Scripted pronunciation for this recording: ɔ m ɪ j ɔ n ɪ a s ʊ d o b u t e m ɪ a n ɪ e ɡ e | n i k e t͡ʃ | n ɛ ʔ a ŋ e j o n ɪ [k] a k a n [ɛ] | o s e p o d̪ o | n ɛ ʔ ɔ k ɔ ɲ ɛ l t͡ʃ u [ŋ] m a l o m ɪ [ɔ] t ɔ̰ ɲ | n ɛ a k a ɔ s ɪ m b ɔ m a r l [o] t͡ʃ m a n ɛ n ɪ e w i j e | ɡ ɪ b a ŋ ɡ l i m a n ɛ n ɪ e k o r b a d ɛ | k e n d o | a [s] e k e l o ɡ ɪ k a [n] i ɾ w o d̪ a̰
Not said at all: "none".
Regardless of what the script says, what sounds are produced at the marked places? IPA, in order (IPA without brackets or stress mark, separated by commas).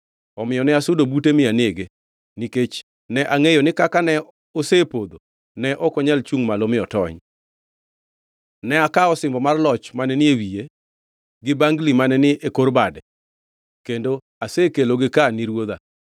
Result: k, ɛ, ŋ, ɔ, ɔ, s, n